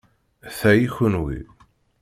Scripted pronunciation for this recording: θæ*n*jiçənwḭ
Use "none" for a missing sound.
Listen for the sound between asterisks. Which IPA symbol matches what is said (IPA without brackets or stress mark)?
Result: none